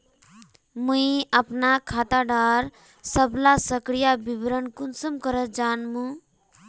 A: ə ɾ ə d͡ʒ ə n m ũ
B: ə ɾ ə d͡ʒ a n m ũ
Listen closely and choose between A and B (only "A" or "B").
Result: B